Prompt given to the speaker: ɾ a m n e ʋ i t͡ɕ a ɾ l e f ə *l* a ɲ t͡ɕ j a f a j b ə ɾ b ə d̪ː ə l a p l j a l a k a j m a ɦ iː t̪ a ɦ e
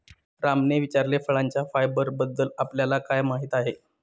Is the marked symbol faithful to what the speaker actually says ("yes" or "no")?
no